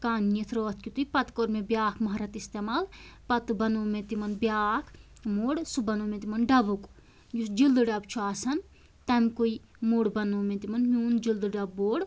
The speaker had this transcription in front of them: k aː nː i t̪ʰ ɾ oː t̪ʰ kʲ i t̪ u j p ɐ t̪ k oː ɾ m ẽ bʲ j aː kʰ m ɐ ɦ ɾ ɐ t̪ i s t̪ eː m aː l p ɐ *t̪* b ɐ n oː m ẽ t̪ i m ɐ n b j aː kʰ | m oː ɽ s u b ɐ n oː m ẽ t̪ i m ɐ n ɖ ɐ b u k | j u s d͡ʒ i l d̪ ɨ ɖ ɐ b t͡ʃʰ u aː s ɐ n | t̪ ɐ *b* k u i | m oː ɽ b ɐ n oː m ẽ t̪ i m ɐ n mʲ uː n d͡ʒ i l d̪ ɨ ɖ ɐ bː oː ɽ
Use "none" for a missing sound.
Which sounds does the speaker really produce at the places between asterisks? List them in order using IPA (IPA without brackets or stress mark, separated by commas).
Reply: t̪, m